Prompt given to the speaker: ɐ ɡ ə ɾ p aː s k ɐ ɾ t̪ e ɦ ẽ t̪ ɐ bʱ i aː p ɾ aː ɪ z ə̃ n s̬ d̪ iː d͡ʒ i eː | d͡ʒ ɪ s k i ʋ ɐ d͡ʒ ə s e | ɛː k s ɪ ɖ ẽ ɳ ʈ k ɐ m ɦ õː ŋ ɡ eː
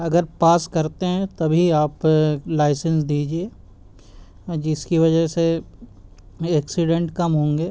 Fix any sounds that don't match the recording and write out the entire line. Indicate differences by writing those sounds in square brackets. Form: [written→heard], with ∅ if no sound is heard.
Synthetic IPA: ɐ ɡ ə ɾ p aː s k ɐ ɾ t̪ e ɦ [ẽ→ɛ̃] t̪ ɐ bʱ i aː p [ɾ→l] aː ɪ [z→s] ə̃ n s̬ d̪ iː d͡ʒ i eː | d͡ʒ ɪ s k i ʋ ɐ d͡ʒ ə s e | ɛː k s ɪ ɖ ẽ ɳ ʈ k ɐ m ɦ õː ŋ ɡ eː